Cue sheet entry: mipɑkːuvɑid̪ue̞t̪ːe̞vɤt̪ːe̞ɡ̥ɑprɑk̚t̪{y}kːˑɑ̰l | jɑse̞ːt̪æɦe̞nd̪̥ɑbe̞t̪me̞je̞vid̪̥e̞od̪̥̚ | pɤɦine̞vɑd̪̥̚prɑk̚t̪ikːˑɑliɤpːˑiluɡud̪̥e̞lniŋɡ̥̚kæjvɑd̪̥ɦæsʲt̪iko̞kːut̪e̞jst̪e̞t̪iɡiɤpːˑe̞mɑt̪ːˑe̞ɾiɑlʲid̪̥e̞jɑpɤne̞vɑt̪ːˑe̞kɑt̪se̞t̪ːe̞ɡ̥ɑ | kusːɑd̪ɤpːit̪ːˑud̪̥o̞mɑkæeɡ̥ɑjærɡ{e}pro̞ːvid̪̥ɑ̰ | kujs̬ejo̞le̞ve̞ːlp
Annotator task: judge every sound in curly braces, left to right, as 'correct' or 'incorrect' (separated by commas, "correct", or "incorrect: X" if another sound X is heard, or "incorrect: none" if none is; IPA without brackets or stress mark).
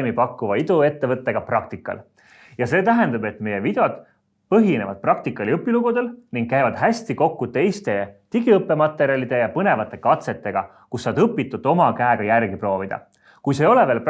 incorrect: i, incorrect: i